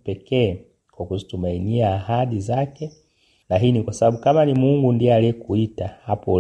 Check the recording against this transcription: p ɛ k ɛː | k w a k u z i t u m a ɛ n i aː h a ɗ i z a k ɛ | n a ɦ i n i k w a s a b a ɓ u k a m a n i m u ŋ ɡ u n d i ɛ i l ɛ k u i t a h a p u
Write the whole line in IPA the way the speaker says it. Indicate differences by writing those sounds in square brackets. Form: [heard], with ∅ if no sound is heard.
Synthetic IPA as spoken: p ɛ k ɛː | k w a k u z i t u m a [i] n i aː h a ɗ i z a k ɛ | n a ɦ i n i k w a s a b a ɓ u k a m a n i m u ŋ ɡ u n d i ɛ [a] l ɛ k u i t a h a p [ɔ]